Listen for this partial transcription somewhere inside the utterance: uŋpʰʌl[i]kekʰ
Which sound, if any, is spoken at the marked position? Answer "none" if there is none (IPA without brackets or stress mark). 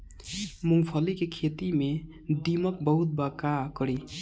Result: i